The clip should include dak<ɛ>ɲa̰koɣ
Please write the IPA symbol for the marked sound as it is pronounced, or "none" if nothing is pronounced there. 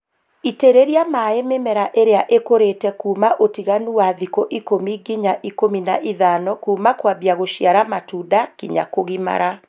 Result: i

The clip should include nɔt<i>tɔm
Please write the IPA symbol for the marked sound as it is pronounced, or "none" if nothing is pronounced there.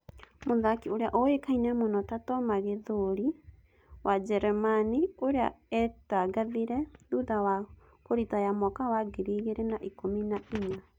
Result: a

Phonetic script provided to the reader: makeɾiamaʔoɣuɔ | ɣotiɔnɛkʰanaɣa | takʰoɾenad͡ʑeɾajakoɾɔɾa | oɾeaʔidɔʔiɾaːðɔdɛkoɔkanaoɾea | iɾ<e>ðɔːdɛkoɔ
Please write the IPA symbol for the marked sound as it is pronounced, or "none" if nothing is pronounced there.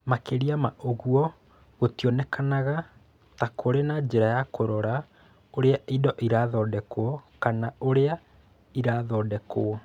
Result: a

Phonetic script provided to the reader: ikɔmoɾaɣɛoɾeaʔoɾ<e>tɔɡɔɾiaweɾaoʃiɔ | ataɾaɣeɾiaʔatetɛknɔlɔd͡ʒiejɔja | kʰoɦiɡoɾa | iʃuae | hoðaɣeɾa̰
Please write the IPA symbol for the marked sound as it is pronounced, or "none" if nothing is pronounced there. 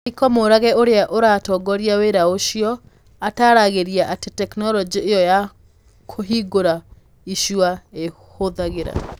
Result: a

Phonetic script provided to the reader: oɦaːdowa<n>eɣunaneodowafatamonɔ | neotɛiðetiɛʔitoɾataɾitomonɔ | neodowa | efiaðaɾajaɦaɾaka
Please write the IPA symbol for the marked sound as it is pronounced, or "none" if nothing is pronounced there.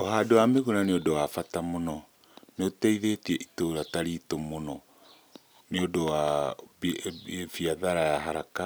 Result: m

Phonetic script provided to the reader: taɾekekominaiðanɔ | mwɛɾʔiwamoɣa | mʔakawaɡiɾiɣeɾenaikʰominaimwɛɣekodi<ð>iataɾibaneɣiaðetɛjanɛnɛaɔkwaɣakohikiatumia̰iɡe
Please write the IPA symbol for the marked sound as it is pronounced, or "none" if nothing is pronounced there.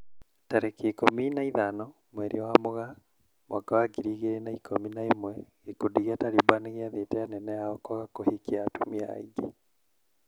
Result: ɣ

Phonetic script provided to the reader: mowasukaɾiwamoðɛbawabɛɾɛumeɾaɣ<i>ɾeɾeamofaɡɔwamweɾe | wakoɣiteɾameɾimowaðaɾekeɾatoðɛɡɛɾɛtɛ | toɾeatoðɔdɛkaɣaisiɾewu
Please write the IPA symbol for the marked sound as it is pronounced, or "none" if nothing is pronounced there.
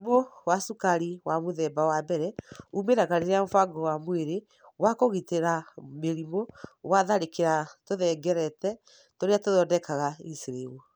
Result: a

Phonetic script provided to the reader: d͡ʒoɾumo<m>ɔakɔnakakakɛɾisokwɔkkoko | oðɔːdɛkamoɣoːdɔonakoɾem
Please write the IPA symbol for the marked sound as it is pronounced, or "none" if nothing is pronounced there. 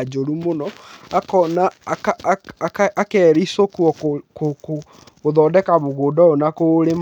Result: n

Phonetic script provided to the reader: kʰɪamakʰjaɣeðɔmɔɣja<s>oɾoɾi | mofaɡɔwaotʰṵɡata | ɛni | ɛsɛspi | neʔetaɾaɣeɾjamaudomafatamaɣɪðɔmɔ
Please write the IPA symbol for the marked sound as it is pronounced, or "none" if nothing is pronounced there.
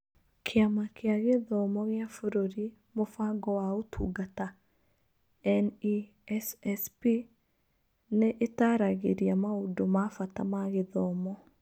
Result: f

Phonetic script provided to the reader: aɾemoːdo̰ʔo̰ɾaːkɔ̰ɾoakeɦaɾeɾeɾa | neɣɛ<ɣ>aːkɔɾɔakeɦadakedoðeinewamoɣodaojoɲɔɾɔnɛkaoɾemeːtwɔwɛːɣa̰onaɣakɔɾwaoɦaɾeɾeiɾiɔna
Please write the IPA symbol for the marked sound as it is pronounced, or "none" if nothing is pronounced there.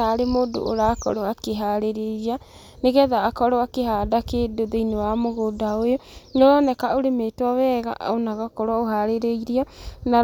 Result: ð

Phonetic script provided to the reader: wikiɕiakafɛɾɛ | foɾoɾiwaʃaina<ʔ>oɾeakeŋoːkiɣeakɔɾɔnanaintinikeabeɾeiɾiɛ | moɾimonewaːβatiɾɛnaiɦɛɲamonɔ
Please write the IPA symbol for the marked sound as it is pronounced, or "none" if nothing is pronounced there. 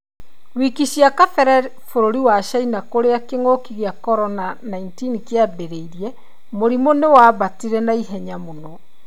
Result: k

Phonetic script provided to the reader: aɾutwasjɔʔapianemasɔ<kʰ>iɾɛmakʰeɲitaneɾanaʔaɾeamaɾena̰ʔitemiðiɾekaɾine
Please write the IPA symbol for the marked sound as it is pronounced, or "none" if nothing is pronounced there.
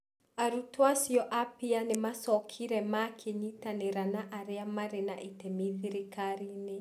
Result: kʰ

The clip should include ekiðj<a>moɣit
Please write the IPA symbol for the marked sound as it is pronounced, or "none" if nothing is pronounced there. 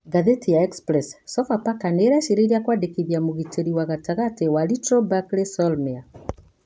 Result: a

